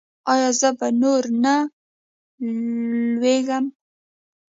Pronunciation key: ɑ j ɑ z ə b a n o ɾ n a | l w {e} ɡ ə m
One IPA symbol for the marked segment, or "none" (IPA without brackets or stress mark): e